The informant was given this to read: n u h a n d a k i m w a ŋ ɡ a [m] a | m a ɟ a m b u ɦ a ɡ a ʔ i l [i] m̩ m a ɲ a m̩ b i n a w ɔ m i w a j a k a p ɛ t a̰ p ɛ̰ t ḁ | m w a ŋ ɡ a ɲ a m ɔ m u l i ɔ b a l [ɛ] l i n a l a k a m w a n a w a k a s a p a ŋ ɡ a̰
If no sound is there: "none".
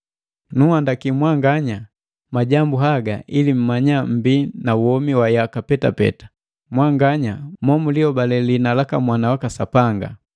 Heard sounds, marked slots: ɲ, i, ɛ

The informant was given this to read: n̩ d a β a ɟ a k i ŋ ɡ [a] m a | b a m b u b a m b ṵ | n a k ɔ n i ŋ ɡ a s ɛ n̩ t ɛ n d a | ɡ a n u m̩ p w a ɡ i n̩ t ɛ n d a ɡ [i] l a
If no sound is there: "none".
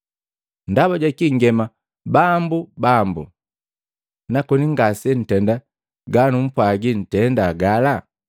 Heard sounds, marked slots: ɛ, a

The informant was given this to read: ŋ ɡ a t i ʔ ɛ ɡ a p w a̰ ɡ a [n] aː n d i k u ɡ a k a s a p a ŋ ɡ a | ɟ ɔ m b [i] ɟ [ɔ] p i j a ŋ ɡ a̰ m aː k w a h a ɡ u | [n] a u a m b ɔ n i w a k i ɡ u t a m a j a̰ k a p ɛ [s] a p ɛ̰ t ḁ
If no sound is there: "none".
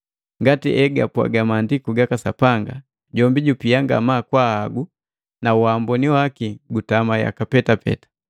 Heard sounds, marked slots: m, i, u, n, t

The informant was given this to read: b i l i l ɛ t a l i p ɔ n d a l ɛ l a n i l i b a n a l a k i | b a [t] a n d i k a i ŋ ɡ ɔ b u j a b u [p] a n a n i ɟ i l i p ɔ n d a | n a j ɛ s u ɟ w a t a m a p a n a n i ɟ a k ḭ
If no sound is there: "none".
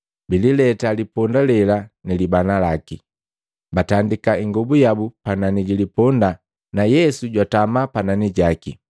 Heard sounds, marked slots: t, p

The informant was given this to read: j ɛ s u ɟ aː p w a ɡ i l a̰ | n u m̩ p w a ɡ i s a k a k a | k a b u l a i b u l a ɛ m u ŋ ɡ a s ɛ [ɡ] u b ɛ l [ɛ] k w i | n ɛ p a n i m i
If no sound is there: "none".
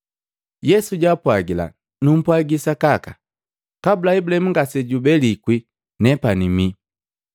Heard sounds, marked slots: ɟ, i

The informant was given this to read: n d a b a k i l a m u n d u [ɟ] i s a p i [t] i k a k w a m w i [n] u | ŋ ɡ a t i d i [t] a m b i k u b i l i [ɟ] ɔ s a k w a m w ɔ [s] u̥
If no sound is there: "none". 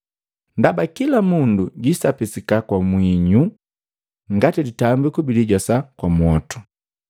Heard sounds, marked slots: ɟ, s, ɲ, t, ɟ, t

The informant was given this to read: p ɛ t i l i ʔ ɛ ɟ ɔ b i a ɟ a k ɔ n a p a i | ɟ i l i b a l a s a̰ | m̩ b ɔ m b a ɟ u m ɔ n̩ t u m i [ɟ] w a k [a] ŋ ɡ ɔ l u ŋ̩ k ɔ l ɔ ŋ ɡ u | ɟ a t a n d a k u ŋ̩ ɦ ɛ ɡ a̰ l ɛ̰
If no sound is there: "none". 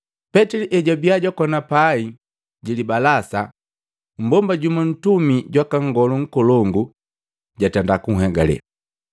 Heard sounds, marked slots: ɟ, a

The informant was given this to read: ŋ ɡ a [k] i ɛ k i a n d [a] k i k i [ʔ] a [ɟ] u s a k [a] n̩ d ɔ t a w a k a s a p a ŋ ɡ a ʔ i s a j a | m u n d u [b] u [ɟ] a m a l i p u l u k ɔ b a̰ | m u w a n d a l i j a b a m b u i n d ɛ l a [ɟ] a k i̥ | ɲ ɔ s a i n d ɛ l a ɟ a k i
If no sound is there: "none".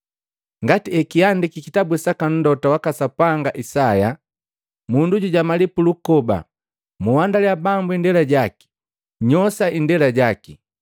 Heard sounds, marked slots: t, i, t, b, a, ɟ, ɟ, ɟ

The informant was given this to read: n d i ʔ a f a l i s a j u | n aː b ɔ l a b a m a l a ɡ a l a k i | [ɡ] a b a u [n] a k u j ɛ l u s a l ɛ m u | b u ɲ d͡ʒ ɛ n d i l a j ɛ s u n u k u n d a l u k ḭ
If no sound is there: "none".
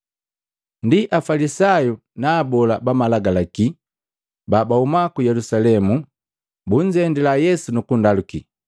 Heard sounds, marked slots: b, m

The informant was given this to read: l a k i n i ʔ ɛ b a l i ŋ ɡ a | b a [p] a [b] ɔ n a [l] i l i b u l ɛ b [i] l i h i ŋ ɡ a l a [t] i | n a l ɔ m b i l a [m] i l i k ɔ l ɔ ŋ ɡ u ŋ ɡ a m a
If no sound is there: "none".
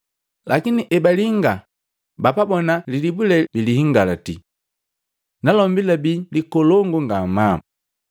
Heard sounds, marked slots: p, b, l, i, t, b

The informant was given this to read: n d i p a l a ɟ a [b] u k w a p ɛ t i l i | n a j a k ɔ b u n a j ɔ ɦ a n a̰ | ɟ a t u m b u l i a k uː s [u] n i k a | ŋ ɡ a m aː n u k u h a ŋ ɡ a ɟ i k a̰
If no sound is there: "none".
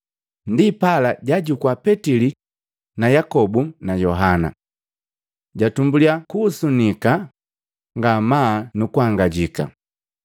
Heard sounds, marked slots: ɟ, u

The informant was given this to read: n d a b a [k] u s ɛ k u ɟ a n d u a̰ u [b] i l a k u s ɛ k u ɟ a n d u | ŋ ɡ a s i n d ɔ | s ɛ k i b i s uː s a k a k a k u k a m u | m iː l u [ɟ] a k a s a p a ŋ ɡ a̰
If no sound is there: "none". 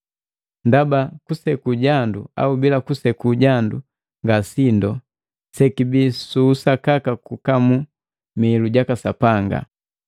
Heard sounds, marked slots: k, b, ɟ

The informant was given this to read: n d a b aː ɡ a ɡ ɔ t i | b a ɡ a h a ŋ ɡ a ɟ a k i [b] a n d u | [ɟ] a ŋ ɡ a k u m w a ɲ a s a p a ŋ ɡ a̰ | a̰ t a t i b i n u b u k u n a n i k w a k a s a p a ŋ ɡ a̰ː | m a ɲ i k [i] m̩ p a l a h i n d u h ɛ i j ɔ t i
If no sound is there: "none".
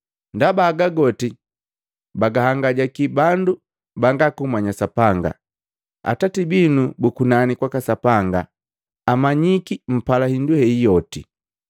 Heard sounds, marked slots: b, b, i

